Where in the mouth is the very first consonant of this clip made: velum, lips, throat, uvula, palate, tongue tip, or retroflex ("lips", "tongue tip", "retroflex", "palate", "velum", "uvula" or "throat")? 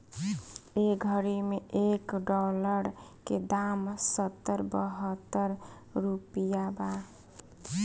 velum